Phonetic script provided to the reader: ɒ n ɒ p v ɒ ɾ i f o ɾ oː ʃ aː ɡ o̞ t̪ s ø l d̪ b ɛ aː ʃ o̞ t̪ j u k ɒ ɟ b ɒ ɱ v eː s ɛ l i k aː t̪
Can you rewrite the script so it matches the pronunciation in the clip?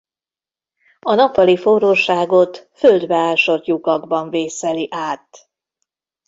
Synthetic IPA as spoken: ɒ n ɒ p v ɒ l i f o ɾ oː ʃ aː ɡ o̞ t̪ f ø l d̪ b ɛ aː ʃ o̞ t̪ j u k ɒ ɡ b ɒ ɱ v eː s ɛ l i ʔ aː t̪